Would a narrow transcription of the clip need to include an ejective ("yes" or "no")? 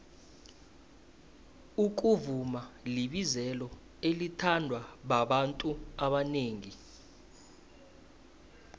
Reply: yes